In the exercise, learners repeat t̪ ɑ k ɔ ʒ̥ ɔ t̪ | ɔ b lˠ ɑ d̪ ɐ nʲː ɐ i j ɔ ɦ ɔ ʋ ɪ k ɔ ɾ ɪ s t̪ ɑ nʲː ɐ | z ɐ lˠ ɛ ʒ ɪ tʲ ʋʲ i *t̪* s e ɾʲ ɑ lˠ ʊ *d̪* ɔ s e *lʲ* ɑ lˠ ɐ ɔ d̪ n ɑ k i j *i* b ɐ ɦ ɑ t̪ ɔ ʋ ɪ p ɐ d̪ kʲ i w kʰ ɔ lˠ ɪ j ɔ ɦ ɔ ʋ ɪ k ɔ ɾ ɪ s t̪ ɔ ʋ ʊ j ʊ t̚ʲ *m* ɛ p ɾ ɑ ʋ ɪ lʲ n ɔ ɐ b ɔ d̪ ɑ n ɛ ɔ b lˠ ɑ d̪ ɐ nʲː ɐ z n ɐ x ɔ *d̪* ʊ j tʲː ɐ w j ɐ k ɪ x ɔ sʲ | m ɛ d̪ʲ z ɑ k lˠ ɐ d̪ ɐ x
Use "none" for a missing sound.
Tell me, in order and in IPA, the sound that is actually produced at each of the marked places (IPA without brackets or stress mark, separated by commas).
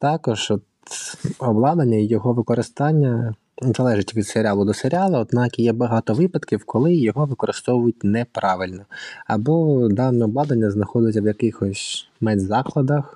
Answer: d̪, d̪, ɾʲ, ɛ, n, d̪